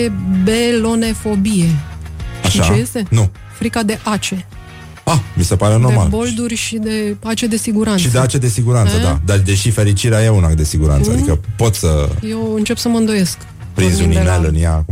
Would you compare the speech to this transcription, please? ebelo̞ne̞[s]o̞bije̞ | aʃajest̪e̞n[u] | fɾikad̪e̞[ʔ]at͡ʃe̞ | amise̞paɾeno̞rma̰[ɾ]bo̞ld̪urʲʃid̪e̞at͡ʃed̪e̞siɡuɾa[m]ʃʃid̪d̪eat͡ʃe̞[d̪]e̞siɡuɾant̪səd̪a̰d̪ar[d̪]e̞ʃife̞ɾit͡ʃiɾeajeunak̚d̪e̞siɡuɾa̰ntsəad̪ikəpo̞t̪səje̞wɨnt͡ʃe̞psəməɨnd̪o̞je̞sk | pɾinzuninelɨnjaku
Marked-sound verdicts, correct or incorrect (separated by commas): incorrect, correct, correct, incorrect, incorrect, correct, correct